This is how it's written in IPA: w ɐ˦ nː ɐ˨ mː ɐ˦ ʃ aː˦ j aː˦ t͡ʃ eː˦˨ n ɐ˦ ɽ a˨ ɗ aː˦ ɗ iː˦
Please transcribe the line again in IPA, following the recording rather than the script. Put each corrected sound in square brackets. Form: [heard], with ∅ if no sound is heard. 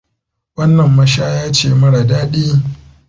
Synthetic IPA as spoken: w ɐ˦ nː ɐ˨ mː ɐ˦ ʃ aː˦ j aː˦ t͡ʃ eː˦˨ [m] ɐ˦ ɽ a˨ [d] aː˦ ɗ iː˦